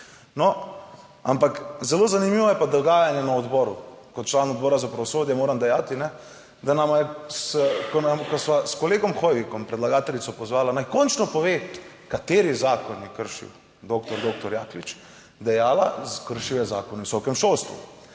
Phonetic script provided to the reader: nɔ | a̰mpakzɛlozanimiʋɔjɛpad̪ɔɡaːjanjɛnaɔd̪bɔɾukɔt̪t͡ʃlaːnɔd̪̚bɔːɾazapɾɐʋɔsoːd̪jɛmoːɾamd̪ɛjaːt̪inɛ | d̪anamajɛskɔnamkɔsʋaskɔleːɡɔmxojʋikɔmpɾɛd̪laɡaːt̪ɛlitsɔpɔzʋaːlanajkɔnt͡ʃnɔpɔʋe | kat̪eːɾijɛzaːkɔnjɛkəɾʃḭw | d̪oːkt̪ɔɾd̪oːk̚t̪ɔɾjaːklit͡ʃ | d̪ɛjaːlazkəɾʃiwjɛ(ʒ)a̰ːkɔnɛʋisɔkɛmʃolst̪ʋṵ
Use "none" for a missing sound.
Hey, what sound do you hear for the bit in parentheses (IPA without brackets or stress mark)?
z